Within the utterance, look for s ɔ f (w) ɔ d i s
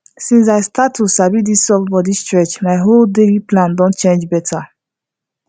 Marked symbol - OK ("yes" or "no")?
no